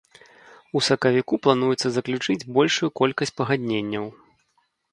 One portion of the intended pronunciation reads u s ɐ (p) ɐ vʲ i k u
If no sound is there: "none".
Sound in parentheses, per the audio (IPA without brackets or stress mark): k